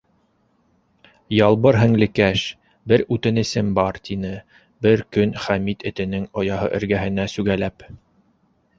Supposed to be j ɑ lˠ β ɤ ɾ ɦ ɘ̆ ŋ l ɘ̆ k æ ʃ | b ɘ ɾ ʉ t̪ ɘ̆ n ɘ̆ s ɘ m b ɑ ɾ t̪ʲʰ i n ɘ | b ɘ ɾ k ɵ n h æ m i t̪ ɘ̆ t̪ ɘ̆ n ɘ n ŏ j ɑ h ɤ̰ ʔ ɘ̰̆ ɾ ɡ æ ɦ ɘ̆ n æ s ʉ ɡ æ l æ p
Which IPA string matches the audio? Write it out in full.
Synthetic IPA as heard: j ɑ lˠ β ɤ ɾ ɦ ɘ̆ ŋ l ɘ̆ k æ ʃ | b ɘ ɾ ʉ t̪ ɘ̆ n ɘ̆ s ɘ m b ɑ ɾ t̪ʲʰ i n ɘ | b ɘ ɾ k ɵ n χ æ m i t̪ ɘ̆ t̪ ɘ̆ n ɘ ŋ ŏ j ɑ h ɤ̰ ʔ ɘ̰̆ ɾ ɡ æ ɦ ɘ̆ n æ s ʉ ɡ æ l æ p